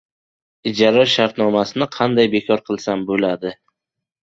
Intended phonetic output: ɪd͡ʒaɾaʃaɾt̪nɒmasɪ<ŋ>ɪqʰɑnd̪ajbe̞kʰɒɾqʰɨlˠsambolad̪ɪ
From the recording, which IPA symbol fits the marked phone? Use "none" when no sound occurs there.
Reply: n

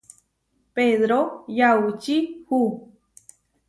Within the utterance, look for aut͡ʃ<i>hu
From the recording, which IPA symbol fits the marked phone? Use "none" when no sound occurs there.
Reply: i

